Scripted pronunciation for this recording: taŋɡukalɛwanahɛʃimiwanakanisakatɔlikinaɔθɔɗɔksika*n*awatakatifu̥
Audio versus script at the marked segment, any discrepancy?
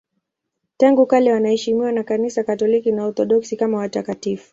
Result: yes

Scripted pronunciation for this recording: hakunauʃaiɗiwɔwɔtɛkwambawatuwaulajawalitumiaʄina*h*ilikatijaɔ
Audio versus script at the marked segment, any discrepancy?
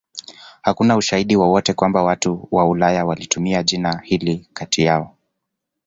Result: no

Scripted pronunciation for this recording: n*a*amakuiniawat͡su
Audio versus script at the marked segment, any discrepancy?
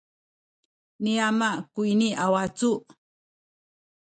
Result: yes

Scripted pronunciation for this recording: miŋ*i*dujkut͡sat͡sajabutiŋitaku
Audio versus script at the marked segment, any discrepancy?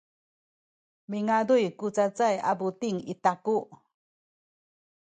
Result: yes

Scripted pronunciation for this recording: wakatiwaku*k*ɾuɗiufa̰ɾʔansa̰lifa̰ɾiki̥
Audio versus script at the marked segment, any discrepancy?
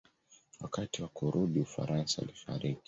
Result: yes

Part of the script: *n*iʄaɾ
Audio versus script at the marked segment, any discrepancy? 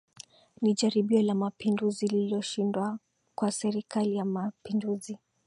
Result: no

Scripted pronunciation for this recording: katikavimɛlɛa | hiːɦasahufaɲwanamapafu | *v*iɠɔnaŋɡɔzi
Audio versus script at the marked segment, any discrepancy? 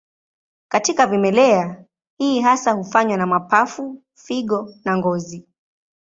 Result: yes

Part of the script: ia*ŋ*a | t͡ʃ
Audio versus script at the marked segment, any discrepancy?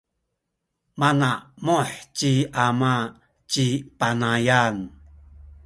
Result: yes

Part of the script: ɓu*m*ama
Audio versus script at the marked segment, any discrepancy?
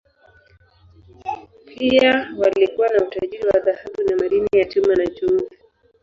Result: yes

